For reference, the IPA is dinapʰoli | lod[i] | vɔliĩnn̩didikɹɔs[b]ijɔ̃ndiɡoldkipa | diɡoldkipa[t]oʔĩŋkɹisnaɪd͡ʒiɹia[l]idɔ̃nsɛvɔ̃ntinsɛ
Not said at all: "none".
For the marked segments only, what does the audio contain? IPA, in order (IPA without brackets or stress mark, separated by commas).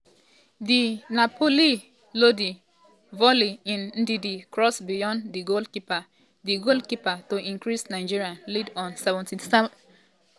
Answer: i, b, t, l